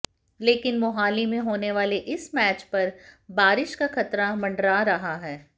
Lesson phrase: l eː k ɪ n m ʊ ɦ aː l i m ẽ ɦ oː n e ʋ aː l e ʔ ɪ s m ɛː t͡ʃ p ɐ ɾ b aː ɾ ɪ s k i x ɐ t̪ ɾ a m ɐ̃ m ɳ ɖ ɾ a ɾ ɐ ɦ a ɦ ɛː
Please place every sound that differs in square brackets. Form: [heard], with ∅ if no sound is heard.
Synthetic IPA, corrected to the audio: l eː k ɪ n m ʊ ɦ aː l i m ẽ ɦ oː n e ʋ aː l e ʔ ɪ s m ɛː t͡ʃ p ɐ ɾ b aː ɾ ɪ [ʃ] k [a] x ɐ t̪ ɾ a m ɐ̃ [∅] ɳ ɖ ɾ a ɾ ɐ ɦ a ɦ ɛː